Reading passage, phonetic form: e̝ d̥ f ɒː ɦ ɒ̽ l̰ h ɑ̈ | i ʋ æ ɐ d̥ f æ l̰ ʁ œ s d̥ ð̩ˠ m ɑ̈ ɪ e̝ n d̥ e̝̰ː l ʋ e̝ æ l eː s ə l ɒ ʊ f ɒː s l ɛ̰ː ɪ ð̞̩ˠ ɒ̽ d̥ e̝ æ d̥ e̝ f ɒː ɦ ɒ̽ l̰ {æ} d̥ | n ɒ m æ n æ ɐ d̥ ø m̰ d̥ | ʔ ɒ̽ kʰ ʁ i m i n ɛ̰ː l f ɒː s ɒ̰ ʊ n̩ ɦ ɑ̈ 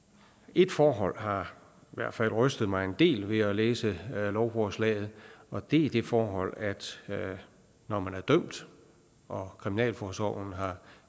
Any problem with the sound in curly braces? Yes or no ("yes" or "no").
no